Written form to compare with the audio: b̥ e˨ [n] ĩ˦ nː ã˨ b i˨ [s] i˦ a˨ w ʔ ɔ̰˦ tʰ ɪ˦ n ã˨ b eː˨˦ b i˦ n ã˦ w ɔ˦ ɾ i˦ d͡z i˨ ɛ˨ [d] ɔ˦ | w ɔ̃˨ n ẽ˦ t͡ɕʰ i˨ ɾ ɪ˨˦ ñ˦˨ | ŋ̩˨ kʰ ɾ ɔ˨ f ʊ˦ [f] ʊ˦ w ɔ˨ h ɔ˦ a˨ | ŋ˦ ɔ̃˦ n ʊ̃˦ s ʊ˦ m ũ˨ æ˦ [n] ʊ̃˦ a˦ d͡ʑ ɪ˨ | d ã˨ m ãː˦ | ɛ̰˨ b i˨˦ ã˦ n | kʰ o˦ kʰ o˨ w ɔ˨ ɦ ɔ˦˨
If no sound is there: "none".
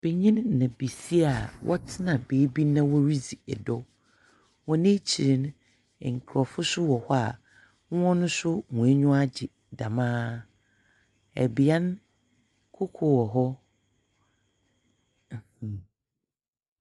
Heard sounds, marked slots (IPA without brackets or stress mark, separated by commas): ɲ, s, d, s, ɲ